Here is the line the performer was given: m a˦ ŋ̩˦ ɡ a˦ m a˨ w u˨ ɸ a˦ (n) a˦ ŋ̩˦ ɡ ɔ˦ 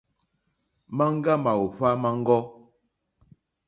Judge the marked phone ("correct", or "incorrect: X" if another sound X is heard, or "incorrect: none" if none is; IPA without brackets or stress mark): incorrect: m